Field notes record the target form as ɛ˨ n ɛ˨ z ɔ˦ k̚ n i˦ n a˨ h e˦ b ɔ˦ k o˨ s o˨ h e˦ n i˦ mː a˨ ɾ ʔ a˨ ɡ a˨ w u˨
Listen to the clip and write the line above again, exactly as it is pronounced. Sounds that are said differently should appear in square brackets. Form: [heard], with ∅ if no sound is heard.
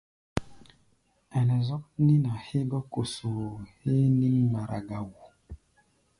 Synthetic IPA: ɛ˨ n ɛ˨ z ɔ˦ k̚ n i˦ n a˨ h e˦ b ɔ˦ k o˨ s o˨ h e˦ n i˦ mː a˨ ɾ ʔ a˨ ɡ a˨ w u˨

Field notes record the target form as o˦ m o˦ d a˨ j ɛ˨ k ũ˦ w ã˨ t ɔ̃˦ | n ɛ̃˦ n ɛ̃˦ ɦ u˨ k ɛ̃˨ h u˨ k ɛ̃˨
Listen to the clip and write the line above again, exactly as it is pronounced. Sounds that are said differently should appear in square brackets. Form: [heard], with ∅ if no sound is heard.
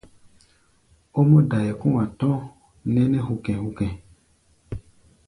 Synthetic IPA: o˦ m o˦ d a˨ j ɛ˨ k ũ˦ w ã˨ t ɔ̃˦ | n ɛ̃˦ n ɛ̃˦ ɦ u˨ k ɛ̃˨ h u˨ k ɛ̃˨

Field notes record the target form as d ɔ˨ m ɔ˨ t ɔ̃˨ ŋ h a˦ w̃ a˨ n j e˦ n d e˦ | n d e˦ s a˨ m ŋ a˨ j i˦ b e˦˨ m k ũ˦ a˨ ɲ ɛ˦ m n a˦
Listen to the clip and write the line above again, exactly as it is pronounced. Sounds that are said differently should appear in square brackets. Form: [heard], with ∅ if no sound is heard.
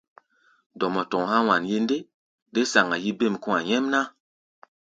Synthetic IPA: d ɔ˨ m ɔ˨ t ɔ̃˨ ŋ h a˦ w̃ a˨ n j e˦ n d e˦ | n d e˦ s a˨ [∅] ŋ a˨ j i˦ b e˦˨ m k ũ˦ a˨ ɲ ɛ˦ m n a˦

